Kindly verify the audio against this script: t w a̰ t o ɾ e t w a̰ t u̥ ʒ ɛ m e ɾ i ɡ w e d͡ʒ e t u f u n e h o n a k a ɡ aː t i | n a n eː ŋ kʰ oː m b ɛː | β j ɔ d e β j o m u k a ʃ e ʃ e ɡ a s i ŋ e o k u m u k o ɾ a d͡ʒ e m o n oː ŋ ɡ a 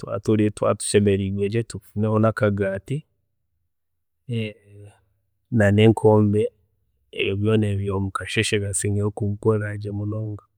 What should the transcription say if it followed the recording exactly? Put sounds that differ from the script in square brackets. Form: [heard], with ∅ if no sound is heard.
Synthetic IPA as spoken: t w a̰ t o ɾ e t w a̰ t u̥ [ʃ] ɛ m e ɾ i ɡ w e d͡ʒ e t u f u n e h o n a k a ɡ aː t i | n a n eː ŋ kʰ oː m b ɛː | β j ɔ [n] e β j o m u k a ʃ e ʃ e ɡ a s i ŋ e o k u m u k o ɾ a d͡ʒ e m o n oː ŋ ɡ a